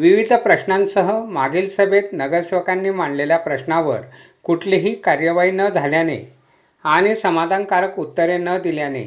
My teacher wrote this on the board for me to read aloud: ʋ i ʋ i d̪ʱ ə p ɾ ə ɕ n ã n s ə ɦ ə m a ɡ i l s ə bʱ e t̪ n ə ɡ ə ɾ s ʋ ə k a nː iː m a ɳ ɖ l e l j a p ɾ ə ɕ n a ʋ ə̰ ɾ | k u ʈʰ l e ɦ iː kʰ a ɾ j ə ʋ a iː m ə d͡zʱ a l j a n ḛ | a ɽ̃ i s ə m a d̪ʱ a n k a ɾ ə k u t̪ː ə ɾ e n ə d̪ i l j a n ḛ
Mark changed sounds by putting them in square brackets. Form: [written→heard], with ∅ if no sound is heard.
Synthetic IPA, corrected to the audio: ʋ i ʋ i d̪ʱ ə p ɾ ə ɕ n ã n s ə ɦ ə m a ɡ i l s ə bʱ e t̪ n ə ɡ ə ɾ s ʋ ə k a nː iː m a ɳ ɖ l e l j a p ɾ ə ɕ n a ʋ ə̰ ɾ | k u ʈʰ l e ɦ iː [kʰ→k] a ɾ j ə ʋ a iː [m→n] ə d͡zʱ a l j a n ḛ | a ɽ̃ i s ə m a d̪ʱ a n k a ɾ ə k u t̪ː ə ɾ e n ə d̪ i l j a n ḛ